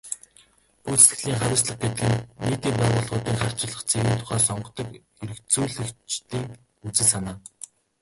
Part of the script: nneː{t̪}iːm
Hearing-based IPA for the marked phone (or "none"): t̪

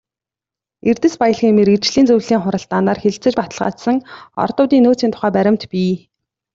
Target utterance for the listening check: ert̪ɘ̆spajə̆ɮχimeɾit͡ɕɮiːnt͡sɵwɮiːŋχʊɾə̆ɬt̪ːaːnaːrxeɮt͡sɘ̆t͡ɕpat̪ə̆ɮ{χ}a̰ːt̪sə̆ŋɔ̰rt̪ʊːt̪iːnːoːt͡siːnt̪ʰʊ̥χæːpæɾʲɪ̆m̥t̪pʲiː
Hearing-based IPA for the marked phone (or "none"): ʁ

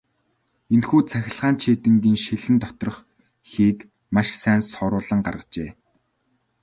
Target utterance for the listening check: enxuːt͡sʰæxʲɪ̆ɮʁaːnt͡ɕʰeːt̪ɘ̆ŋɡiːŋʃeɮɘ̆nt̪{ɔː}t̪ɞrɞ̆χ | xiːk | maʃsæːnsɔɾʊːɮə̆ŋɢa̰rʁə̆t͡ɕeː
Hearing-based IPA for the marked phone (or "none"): ɔ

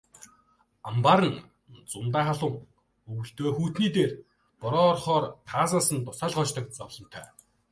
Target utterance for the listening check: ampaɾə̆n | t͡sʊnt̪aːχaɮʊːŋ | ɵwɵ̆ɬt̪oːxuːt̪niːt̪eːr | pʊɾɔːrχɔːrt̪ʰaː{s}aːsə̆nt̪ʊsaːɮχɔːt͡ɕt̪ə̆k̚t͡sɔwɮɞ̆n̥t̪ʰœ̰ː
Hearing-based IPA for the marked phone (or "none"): s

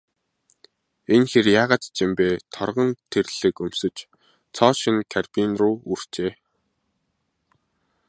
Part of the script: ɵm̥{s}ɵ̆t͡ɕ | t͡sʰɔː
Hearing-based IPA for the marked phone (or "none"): s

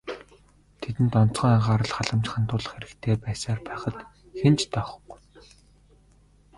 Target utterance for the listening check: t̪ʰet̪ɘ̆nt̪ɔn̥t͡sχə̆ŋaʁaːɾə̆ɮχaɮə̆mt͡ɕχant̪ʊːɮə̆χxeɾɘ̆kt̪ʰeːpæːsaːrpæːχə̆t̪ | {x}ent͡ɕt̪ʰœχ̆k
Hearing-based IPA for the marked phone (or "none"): x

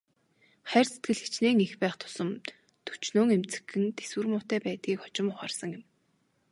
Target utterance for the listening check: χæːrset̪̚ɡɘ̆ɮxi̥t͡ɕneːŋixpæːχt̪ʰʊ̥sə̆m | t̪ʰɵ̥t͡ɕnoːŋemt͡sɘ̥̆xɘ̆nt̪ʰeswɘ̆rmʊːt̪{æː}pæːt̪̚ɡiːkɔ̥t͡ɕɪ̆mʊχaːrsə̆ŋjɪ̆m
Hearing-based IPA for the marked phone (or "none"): æː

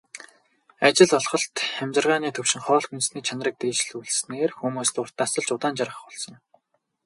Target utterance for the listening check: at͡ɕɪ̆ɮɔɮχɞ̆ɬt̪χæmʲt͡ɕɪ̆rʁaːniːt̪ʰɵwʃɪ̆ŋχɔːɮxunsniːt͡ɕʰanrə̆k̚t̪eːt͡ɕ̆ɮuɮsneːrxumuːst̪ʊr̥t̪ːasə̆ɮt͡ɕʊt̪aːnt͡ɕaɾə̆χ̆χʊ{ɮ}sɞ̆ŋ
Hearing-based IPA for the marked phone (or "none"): ɮ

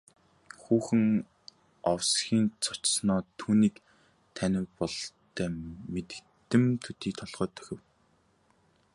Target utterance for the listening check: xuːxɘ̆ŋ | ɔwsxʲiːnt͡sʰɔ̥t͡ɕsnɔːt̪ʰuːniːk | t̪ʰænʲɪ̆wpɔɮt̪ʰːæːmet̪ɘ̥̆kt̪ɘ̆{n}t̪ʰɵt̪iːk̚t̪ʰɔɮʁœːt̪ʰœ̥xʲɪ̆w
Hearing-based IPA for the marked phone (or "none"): m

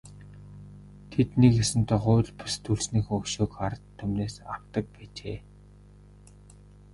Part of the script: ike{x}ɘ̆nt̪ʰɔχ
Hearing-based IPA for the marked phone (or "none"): s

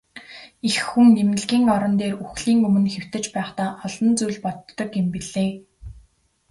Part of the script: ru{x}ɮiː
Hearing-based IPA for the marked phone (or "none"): x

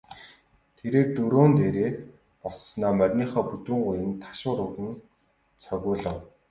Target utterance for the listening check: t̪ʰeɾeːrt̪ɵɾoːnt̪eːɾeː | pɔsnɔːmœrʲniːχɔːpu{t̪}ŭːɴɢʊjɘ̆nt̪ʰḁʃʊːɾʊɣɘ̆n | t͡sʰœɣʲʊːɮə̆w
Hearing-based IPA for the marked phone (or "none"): t̪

